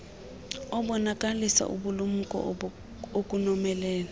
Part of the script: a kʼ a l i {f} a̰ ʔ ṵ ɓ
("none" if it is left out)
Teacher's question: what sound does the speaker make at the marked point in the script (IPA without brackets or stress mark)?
s